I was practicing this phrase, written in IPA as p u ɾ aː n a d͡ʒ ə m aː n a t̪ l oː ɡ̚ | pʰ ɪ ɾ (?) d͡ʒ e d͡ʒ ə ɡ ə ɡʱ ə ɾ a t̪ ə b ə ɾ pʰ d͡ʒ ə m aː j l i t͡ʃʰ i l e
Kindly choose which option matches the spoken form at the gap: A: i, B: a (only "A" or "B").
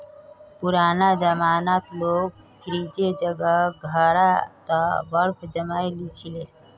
A